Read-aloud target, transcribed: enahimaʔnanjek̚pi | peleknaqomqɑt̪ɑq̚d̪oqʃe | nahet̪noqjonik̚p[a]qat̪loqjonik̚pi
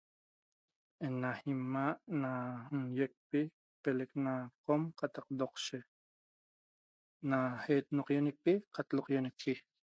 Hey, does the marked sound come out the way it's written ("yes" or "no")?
no